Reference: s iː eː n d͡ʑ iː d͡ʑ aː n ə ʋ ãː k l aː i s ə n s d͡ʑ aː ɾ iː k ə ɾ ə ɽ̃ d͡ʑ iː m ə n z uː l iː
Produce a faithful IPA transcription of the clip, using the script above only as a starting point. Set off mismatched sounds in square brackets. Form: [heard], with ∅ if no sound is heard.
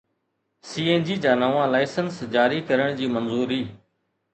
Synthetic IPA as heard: s iː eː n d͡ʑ iː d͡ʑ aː n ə ʋ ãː [∅] l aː [ɪ] s ə n s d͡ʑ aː ɾ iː k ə ɾ ə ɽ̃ d͡ʑ iː m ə n z uː [ɾ] iː

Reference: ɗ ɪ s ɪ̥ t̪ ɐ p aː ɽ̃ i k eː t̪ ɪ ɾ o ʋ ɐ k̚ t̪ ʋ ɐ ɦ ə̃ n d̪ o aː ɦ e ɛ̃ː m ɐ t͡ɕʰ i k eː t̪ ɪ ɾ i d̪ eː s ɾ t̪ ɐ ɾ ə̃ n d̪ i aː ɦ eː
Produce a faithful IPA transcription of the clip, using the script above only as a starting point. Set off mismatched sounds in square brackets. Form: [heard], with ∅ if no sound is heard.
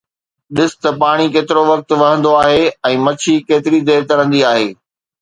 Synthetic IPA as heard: ɗ ɪ s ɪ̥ t̪ ɐ p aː ɽ̃ i k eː t̪ ɪ ɾ o ʋ ɐ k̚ t̪ ʋ ɐ ɦ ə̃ n d̪ o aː ɦ e ɛ̃ː m ɐ t͡ɕʰ i k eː t̪ ɪ ɾ i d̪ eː [∅] ɾ t̪ ɐ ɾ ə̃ n d̪ i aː ɦ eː

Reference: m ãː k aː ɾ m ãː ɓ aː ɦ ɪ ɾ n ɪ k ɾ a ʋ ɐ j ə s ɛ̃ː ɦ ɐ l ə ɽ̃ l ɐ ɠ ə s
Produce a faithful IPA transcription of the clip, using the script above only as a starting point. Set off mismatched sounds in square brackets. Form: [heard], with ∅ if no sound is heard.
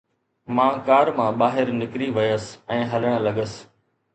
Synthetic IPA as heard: m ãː k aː ɾ m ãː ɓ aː ɦ ɪ ɾ n ɪ k ɾ [i] ʋ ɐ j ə s ɛ̃ː ɦ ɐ l ə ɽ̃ l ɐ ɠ ə s

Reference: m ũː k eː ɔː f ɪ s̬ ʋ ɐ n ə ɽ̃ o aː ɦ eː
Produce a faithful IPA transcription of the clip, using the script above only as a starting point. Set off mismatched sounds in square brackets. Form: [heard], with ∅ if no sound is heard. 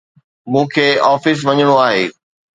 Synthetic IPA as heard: m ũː [kʰ] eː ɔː f ɪ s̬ ʋ ɐ [ɲ] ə ɽ̃ o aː ɦ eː

